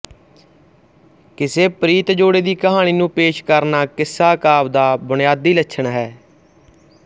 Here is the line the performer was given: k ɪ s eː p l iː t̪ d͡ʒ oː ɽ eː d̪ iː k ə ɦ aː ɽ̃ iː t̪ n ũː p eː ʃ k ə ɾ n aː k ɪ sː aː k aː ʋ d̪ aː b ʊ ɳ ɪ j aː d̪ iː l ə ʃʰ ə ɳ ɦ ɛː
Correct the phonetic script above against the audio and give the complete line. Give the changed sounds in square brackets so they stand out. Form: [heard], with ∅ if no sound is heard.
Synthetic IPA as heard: k ɪ s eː p [ɾ] iː t̪ d͡ʒ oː ɽ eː d̪ iː k ə ɦ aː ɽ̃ iː [∅] n ũː p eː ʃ k ə ɾ n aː k ɪ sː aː k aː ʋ d̪ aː b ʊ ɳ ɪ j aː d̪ iː l ə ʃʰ ə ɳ ɦ ɛː